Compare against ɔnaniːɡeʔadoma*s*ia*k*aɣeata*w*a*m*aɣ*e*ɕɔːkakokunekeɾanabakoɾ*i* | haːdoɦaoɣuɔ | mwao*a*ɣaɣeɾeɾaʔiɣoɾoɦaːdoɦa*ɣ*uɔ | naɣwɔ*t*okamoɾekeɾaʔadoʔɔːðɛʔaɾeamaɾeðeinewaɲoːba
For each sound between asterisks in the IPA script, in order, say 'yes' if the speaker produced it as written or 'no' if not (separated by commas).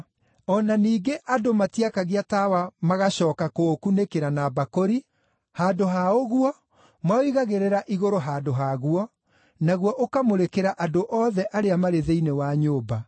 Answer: no, yes, yes, yes, no, yes, no, yes, no